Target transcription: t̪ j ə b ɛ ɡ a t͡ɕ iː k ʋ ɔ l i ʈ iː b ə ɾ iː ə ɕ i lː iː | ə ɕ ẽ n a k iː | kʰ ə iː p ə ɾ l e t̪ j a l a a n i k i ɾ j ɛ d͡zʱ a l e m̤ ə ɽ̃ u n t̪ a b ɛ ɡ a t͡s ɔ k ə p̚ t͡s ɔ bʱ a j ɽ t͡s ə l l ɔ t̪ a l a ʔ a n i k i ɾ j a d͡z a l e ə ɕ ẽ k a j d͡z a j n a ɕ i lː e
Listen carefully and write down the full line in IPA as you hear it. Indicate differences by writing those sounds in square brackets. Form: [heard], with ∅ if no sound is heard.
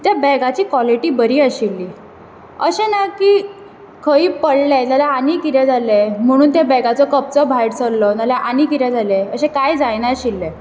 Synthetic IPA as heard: t̪ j [a] b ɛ ɡ a t͡ɕ iː k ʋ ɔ l i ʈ iː b ə ɾ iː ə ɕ i lː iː | ə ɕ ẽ n a k iː | kʰ ə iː p ə [ɽ] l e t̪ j a l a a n i k i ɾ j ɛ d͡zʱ a l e m̤ ə ɽ̃ [uː] n t̪ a b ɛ ɡ a t͡s ɔ k ə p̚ t͡s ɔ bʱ a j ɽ t͡s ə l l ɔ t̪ a l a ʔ a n i k i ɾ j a d͡z a l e ə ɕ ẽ k a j d͡z a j n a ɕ i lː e